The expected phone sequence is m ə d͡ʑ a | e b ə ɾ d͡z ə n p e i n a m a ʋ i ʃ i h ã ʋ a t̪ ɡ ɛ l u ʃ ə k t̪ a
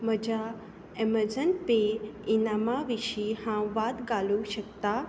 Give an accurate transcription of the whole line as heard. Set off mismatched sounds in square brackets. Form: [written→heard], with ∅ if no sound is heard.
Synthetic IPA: m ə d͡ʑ a | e [b→m] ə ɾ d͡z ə n p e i n a m a ʋ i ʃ i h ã ʋ a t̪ ɡ [ɛ→a] l u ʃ ə k t̪ a